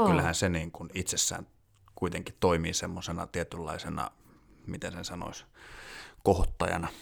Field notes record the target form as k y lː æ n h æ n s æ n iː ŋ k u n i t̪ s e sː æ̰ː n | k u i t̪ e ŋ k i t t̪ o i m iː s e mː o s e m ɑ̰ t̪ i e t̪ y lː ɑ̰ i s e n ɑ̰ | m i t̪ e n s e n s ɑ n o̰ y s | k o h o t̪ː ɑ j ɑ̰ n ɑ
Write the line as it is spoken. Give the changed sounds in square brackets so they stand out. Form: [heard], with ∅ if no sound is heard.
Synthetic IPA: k y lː æ [∅] h æ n s [e] n iː ŋ k u n i t̪ s e sː æ̰ː n | k u i t̪ e ŋ k i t t̪ o i m iː s e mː o s e [n] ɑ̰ t̪ i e t̪ y lː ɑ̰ i s e n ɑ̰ | m i t̪ e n s e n s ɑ n o̰ [i] s | k o h o t̪ː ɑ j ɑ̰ n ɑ